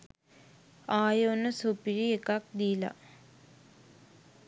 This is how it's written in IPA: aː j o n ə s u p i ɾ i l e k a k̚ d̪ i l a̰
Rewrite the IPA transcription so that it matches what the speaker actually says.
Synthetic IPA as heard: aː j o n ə s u p i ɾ i e k a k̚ d̪ i l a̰